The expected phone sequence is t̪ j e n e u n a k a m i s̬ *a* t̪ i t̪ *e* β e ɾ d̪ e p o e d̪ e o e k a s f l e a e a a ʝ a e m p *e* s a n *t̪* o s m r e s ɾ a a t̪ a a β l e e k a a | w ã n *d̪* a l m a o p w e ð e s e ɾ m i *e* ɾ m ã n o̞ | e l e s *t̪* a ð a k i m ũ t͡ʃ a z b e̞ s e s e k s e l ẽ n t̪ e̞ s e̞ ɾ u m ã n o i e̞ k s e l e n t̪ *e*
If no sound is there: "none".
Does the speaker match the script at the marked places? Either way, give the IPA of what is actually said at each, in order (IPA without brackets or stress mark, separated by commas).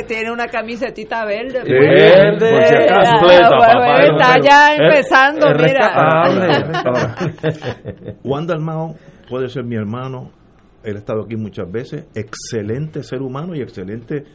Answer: e, a, e, d̪, d̪, e, t̪, e